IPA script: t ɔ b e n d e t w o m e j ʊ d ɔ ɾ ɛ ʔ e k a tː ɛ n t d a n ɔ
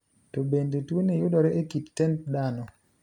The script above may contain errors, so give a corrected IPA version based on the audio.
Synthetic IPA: t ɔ b e n d e t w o n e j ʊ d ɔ ɾ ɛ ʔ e k i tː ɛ n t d a n ɔ